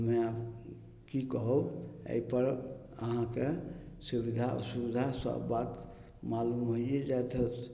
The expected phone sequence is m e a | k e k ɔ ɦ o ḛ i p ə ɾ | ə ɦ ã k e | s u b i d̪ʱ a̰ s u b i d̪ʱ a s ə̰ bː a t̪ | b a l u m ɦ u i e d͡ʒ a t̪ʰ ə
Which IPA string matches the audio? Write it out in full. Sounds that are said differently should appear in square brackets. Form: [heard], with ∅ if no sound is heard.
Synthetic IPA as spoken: m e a | k [i] k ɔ ɦ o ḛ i p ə ɾ | ə ɦ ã k e | s u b i d̪ʱ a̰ s u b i d̪ʱ a s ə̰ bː a t̪ | [m] a l u m ɦ [o] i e d͡ʒ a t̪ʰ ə